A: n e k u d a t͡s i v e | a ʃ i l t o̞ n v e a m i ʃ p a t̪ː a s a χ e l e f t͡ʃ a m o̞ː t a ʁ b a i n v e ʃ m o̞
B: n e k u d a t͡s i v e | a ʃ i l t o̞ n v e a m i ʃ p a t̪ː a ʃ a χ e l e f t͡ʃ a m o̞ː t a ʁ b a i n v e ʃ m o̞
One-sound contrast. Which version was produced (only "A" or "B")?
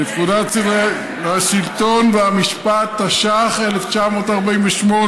B